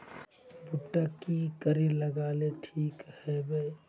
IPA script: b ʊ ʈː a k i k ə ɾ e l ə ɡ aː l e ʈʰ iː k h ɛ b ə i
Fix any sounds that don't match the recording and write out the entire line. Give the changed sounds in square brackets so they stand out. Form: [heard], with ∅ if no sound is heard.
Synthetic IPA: b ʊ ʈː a k i k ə ɾ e l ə ɡ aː l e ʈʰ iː k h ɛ b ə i